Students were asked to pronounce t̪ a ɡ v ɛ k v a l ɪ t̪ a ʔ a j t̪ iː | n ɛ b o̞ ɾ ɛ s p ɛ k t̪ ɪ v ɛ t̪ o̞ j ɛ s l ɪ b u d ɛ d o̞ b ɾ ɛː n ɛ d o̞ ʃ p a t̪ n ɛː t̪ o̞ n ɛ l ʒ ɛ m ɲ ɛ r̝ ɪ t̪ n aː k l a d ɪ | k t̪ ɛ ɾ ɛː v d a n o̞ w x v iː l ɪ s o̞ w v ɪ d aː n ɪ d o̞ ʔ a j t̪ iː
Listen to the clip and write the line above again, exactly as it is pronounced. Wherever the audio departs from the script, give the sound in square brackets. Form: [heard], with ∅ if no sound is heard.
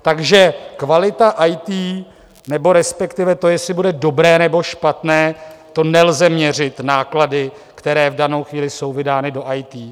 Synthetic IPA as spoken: t̪ a ɡ [ʒ] ɛ k v a l ɪ t̪ a ʔ a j t̪ iː | n ɛ b o̞ ɾ ɛ s p ɛ k t̪ ɪ v ɛ t̪ o̞ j ɛ s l ɪ b u d ɛ d o̞ b ɾ ɛː n ɛ [b] o̞ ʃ p a t̪ n ɛː t̪ o̞ n ɛ l [z] ɛ m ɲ ɛ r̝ ɪ t̪ n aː k l a d ɪ | k t̪ ɛ ɾ ɛː v d a n o̞ w x v iː l ɪ s o̞ w v ɪ d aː n ɪ d o̞ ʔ a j t̪ iː

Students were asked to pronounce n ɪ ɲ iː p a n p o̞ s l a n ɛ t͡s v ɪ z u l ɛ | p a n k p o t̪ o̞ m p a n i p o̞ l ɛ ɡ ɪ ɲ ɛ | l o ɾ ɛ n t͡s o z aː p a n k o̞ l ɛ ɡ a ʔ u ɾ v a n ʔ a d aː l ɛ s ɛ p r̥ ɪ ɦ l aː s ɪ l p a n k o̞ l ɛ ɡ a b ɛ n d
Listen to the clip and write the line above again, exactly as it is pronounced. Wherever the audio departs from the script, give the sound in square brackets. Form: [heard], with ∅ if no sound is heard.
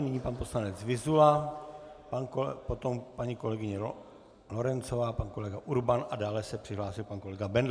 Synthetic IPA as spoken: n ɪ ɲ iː p a n p o̞ s l a n ɛ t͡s v ɪ z u l [a] | p a n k p o t̪ o̞ m p a [ɲ] i [k] o̞ l ɛ ɡ ɪ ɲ ɛ | l o ɾ ɛ n t͡s o [v] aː p a n k o̞ l ɛ ɡ a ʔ u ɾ [b] a n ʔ a d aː l ɛ s ɛ p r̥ ɪ ɦ l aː s ɪ l p a n k o̞ l ɛ ɡ a b ɛ n d

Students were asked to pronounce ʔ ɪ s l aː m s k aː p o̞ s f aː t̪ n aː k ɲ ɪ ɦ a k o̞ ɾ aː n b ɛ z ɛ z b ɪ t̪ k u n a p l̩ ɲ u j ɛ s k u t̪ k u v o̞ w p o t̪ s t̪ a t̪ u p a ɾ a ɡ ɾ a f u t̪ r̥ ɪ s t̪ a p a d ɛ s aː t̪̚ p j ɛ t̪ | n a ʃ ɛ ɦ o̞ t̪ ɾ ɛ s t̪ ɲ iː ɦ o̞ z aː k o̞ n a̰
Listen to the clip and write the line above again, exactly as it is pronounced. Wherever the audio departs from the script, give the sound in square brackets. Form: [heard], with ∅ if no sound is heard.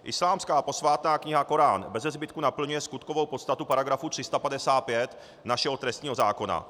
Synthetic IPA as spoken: ʔ ɪ s l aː m s k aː p o̞ s [v] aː t̪ n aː k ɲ ɪ ɦ a k o̞ ɾ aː n b ɛ z ɛ z b ɪ t̪ k u n a p l̩ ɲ u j ɛ s k u t̪ k [o] v o̞ w p o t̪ s t̪ a t̪ u p a ɾ a ɡ ɾ a f u t̪ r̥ ɪ s t̪ a p a d ɛ s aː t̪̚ p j ɛ t̪ | n a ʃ ɛ ɦ o̞ t̪ ɾ ɛ s t̪ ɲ iː ɦ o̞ z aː k o̞ n a̰

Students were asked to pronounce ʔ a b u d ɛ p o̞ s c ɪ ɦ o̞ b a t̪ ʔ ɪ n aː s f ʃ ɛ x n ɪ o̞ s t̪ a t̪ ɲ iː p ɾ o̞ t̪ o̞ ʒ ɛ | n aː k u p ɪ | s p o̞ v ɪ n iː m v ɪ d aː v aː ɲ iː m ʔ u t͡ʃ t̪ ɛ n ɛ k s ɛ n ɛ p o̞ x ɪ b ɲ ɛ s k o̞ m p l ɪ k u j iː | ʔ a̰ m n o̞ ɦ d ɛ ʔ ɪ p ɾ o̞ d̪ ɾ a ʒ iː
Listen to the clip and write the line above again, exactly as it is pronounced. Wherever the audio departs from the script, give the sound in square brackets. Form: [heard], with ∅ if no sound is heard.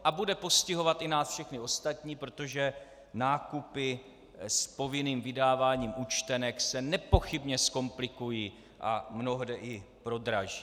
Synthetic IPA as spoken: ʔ a b u d ɛ p o̞ s c ɪ ɦ o̞ [v] a t̪ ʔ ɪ n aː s f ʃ ɛ x n ɪ o̞ s t̪ a t̪ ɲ iː p ɾ o̞ t̪ o̞ ʒ ɛ | n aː k u p ɪ | s p o̞ v ɪ n iː m v ɪ d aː v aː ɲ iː m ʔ u t͡ʃ t̪ ɛ n ɛ k s ɛ n ɛ p o̞ x ɪ b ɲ ɛ s k o̞ m p l ɪ k u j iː | ʔ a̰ m n o̞ ɦ d ɛ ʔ ɪ p ɾ o̞ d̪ ɾ a ʒ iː

